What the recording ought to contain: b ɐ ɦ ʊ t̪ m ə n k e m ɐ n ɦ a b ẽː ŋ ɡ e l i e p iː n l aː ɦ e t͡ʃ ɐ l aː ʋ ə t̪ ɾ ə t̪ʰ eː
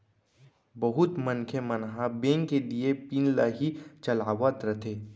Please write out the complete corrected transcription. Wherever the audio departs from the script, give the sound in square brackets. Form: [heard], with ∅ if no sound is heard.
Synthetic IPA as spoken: b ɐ ɦ ʊ t̪ m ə n [kʰ] e m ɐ n ɦ a b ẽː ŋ [k] e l i e p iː n l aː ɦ [i] t͡ʃ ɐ l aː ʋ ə t̪ ɾ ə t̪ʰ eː